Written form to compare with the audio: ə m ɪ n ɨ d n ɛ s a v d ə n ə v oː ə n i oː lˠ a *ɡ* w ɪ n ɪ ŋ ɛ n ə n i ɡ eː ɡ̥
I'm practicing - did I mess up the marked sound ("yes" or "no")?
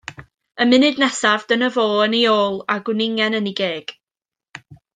no